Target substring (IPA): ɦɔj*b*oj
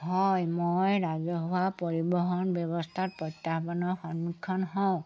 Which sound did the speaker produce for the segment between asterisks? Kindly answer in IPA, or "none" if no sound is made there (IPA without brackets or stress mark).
m